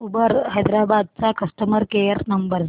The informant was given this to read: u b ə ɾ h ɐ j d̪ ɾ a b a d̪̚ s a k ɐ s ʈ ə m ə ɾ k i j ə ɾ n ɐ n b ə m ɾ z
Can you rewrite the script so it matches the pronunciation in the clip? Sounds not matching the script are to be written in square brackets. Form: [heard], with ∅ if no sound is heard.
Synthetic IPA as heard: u b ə ɾ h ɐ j d̪ ɾ a b a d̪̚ [t͡s] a k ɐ s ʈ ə m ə ɾ k [e] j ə ɾ n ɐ [m] b ə [∅] ɾ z